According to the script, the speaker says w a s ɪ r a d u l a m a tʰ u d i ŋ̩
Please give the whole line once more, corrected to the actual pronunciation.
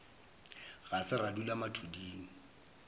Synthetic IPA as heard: ɣ a s ɪ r a d u l a m a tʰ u d iː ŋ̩